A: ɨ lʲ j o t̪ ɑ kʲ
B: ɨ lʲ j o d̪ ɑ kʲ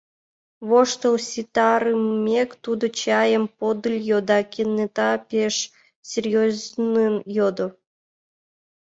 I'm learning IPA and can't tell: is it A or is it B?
B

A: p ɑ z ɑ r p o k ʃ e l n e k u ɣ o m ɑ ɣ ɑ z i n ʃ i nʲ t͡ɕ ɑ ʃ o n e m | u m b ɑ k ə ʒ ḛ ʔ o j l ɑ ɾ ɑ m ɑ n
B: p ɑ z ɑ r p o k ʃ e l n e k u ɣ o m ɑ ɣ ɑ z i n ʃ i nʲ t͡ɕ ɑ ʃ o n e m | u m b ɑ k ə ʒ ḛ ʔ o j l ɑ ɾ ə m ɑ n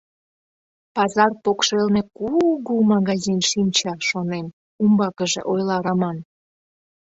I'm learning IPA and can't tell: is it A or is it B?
A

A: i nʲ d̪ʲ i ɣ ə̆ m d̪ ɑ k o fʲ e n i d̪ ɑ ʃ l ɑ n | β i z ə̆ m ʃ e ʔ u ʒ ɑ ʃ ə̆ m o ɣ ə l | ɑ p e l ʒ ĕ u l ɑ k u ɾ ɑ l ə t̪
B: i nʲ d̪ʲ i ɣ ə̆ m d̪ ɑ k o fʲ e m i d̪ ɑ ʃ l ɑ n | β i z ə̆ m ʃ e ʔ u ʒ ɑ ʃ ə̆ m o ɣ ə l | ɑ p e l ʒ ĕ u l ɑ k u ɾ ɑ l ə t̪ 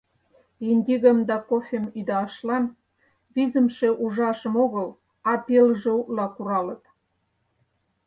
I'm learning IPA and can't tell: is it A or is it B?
B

